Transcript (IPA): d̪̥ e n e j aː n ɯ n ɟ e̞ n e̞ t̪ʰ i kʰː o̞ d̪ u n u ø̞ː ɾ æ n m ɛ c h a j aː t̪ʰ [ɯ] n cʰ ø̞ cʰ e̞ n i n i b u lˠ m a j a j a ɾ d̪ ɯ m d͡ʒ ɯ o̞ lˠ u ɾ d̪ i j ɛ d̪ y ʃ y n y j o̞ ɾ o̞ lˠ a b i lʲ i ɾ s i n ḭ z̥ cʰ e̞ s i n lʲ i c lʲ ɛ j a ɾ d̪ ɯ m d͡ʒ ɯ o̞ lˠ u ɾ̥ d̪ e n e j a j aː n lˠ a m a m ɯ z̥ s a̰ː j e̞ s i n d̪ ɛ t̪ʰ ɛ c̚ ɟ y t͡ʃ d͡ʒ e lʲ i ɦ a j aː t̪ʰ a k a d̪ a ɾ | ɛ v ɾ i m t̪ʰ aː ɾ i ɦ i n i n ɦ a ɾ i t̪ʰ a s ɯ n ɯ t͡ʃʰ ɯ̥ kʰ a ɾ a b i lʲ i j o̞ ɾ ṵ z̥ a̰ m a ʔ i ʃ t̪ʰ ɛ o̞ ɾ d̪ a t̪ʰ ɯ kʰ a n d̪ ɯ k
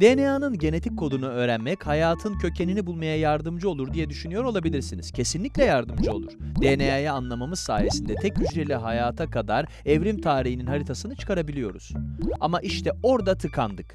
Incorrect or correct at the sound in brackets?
correct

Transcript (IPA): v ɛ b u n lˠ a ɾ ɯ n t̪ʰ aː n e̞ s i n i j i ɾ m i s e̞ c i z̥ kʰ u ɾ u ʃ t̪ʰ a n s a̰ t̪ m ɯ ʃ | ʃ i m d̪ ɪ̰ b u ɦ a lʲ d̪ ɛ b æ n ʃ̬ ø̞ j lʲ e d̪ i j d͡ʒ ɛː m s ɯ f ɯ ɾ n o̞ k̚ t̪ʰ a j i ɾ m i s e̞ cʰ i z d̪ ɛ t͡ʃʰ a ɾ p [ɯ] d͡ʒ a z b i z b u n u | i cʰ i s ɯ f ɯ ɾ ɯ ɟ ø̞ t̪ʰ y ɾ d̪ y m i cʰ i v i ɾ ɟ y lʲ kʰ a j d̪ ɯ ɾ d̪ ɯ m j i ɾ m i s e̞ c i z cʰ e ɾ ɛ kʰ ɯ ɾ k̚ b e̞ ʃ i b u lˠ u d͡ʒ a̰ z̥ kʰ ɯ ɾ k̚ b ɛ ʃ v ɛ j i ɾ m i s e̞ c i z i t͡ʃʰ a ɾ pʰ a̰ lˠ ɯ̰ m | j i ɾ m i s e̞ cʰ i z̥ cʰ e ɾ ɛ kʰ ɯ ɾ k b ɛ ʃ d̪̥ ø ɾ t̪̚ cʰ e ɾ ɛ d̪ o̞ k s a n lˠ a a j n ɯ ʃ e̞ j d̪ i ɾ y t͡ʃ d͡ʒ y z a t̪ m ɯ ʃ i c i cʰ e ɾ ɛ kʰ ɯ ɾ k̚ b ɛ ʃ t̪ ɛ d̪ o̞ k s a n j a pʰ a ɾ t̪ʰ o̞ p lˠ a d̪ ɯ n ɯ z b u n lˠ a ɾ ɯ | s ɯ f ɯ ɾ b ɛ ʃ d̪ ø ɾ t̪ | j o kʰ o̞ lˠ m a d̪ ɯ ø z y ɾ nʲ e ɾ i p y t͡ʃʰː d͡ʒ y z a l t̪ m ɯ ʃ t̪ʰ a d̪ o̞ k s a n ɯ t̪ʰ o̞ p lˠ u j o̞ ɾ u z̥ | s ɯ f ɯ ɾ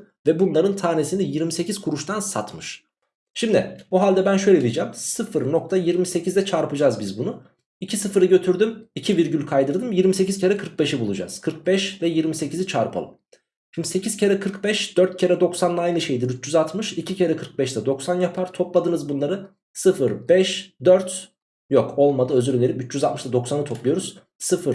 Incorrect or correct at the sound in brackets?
correct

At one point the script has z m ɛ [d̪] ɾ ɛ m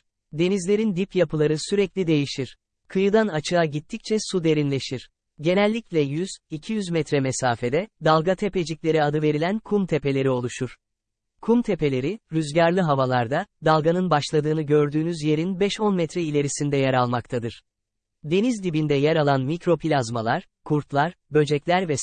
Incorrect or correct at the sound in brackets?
incorrect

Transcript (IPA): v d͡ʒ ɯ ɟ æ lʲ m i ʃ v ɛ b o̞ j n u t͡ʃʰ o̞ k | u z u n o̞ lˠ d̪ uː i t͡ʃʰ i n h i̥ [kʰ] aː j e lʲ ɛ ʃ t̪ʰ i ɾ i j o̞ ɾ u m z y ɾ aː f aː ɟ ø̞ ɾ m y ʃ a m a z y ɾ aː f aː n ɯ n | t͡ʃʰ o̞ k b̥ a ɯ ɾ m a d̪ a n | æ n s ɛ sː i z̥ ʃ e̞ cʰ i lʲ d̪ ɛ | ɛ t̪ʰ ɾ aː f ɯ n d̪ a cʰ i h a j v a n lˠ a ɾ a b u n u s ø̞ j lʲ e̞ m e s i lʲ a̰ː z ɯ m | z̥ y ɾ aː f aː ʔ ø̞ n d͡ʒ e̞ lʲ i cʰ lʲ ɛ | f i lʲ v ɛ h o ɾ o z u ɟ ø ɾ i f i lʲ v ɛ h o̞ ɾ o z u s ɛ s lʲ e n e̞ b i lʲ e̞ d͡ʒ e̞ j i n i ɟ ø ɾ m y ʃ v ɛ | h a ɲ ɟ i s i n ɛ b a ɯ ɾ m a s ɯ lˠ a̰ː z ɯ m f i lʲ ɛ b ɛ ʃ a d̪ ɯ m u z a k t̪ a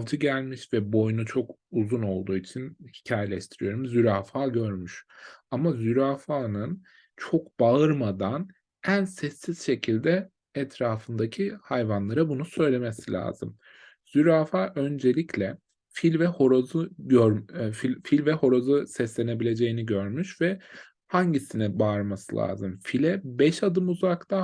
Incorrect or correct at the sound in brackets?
incorrect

